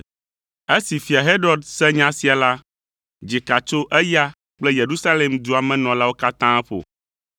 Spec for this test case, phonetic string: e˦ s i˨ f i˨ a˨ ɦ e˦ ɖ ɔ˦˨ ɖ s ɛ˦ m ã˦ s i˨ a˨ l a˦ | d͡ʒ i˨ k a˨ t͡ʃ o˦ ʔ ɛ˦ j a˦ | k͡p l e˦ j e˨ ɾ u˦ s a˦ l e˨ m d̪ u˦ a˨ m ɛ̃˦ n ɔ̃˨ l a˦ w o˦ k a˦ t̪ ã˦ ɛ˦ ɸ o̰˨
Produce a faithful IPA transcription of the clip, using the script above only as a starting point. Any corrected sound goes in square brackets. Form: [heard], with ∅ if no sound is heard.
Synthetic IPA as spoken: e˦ s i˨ f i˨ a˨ ɦ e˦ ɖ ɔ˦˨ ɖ s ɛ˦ [ɲ] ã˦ s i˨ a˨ l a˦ | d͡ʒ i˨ k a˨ t͡ʃ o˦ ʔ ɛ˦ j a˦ | k͡p l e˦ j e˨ ɾ u˦ s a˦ l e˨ m d̪ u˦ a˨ m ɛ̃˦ n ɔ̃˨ l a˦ w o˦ k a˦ t̪ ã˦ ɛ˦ ɸ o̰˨

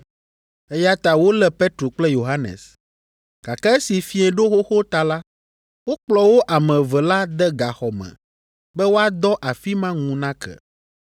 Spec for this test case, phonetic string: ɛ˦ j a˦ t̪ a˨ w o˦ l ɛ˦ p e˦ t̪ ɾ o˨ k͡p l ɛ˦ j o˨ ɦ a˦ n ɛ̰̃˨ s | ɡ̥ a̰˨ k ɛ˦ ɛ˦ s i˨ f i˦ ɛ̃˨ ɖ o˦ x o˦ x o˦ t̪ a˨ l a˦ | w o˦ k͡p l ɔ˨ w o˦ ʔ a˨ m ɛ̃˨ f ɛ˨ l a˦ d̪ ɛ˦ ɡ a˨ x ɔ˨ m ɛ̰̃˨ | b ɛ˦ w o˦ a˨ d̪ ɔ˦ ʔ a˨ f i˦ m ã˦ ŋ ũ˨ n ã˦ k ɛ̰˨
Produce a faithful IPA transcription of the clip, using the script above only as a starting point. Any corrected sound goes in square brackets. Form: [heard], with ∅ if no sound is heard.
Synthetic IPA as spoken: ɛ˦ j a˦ t̪ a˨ w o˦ l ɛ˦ p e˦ t̪ ɾ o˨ k͡p l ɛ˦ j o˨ ɦ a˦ n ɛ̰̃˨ s | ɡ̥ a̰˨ k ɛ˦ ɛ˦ s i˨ f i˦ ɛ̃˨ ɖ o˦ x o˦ x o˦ t̪ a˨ l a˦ | w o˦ k͡p l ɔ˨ w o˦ ʔ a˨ m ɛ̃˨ [v] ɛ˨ l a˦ d̪ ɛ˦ ɡ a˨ x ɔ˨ m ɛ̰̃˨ | b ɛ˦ w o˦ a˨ d̪ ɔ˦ ʔ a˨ f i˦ m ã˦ ŋ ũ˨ n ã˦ k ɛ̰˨

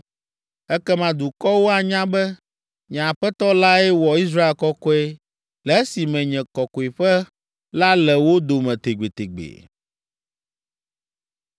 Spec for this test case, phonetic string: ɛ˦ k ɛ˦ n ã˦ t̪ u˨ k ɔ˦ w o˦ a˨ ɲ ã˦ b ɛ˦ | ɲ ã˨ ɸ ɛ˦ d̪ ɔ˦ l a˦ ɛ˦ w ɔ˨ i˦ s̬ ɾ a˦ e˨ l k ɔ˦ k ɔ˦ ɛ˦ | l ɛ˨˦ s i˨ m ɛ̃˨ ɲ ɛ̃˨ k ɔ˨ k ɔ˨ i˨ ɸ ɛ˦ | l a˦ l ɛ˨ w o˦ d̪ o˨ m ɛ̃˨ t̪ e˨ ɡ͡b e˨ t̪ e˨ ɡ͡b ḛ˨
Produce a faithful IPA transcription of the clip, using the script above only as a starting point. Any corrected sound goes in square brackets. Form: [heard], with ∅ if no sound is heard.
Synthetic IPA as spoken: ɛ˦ k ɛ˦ [m] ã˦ [d̪] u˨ k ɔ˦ w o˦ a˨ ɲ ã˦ b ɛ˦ | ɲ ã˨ ɸ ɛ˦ [t̪] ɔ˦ l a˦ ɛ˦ w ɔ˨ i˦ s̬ ɾ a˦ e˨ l k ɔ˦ k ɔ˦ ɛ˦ | l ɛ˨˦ s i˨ m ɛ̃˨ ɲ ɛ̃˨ k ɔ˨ k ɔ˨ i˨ ɸ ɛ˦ | l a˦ l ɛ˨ w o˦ d̪ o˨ m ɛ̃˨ t̪ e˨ ɡ͡b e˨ t̪ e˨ ɡ͡b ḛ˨

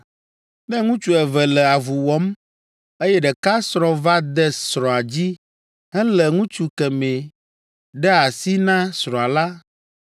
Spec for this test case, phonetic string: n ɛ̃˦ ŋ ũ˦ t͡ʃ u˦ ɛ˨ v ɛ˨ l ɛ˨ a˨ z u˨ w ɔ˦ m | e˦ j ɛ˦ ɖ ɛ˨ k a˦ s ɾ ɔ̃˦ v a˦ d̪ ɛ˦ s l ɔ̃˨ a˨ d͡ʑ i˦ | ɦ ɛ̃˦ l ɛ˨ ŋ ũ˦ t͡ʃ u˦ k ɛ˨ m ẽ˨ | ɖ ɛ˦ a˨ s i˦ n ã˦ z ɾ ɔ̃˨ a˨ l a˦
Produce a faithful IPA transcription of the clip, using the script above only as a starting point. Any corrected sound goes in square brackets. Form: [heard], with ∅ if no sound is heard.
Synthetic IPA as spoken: n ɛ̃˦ ŋ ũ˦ t͡ʃ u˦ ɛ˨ v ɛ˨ l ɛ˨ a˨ [v] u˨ w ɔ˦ m | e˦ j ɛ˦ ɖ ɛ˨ k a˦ s ɾ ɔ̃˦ v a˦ d̪ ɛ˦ s [ɾ] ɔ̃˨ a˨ d͡ʑ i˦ | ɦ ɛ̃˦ l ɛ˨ ŋ ũ˦ t͡ʃ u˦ k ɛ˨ m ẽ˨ | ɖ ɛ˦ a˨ s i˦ n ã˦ [s] ɾ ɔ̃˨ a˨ l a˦

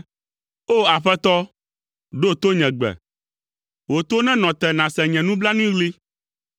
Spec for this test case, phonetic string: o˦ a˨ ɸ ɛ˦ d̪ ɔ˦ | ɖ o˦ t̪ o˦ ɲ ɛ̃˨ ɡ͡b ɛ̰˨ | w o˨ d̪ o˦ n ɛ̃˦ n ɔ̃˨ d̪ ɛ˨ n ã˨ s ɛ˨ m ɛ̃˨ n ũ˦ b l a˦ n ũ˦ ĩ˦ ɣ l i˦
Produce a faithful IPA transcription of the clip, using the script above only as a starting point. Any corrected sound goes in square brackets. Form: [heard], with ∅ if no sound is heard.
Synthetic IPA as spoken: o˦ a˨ ɸ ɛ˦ [t̪] ɔ˦ | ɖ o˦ t̪ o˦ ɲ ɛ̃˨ ɡ͡b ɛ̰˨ | w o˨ [t̪] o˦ n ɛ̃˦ n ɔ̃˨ [t̪] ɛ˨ n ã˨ s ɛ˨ [ɲ] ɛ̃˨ n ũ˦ b l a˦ n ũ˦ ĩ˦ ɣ l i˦

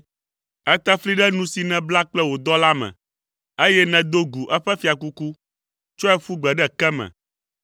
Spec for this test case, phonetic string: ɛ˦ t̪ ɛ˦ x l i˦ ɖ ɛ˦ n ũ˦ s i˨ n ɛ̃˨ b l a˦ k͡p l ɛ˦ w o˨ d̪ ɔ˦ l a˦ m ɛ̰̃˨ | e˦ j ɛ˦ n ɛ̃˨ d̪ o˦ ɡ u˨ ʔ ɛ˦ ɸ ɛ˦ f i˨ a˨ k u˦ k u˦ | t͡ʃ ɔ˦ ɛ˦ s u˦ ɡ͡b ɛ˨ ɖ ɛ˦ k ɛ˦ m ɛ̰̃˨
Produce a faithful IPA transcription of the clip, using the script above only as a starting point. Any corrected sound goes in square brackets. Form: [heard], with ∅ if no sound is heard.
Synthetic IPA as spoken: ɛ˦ t̪ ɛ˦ [f] l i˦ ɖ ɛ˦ n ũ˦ s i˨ n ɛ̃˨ b l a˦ k͡p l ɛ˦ w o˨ d̪ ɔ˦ l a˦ m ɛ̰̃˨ | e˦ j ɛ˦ n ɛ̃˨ d̪ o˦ ɡ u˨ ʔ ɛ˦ ɸ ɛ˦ f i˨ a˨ k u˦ k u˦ | t͡ʃ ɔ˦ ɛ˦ [f] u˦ ɡ͡b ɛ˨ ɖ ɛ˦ k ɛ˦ m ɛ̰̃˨

